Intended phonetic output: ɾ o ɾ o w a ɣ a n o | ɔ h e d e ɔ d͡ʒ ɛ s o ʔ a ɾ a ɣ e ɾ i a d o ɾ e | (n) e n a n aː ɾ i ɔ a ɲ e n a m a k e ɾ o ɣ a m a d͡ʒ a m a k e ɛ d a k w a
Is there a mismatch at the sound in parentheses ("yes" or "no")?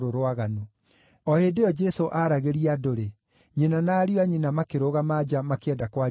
yes